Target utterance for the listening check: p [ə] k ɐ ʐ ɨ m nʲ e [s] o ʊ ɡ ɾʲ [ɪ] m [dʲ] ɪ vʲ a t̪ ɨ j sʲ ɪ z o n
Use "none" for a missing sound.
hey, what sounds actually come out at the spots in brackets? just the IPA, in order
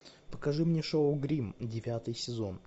ə, ʂ, i, dʲ

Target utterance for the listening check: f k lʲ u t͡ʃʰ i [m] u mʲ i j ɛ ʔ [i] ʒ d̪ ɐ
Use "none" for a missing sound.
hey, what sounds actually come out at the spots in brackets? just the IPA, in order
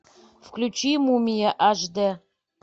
m, a

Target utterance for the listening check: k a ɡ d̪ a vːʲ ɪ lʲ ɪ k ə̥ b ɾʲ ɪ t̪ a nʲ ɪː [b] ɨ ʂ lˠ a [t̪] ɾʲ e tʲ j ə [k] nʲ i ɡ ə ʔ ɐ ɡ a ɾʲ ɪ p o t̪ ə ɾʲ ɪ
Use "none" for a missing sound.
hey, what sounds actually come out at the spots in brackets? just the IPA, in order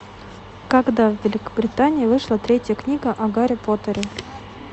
v, t̪, k

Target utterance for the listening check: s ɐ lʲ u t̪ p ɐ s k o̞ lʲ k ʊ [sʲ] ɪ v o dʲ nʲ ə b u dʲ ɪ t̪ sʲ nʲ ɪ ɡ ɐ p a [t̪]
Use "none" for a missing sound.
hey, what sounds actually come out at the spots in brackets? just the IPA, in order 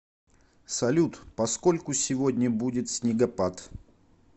sʲ, t̪

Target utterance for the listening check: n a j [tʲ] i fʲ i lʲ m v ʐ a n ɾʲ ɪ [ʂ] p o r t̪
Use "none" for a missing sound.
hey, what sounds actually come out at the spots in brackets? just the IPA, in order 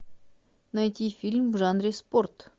tʲ, s

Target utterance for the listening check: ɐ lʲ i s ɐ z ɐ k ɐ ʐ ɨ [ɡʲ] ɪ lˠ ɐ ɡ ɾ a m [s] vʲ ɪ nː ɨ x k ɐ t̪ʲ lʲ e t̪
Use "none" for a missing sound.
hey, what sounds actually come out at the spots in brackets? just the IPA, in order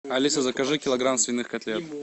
kʲ, s

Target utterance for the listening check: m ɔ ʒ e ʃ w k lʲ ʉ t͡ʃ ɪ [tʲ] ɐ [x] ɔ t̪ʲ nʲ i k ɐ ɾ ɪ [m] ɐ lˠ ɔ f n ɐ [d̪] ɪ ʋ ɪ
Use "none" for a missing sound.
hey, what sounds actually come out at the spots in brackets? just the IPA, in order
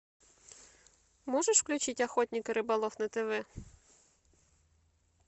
tʲ, x, b, t̪

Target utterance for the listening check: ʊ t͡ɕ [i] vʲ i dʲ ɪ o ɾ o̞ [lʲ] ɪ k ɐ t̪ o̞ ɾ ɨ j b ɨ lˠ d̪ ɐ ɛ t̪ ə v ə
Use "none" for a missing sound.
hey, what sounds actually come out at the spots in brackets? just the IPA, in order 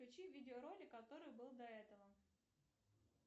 i, lʲ

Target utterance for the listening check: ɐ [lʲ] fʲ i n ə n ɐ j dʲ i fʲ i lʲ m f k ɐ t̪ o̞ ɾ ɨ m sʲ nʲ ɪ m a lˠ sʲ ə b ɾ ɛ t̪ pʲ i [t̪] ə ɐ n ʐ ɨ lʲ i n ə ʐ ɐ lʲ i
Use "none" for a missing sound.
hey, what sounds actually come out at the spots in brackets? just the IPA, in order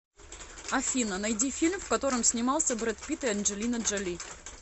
none, t̪

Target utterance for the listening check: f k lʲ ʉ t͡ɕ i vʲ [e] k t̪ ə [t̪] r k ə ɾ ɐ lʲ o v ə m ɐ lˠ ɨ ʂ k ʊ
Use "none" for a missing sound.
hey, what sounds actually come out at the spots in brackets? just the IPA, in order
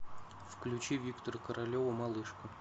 i, none

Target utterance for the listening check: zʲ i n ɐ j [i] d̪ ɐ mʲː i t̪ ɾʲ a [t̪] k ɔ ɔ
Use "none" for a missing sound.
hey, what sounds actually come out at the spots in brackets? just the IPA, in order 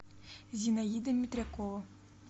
i, none

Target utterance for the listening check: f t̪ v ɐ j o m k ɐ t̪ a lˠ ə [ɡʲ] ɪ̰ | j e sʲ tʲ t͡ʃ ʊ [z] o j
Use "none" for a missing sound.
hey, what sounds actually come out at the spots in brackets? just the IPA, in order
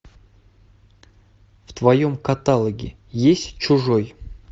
ɡʲ, ʐ

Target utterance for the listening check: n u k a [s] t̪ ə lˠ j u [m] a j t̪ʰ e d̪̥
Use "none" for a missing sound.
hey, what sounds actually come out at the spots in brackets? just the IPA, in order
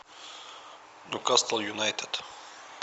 s, n

